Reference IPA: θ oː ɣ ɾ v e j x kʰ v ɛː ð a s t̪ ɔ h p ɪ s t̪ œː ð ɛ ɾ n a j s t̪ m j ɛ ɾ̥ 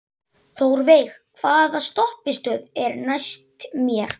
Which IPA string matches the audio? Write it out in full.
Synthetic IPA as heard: θ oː w ɾ v e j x kʰ v aː ð a s t̪ ɔ h p ɪ s t̪ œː ð ɛ ɾ n a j s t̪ m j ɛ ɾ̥